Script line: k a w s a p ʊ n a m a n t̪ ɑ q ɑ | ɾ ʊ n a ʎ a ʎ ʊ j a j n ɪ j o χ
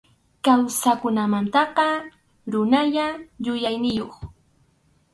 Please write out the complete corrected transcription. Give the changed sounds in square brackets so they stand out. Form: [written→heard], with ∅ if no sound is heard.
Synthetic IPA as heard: k a w s a [p→k] ʊ n a m a n t̪ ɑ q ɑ | ɾ ʊ n a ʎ a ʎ ʊ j a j n ɪ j o χ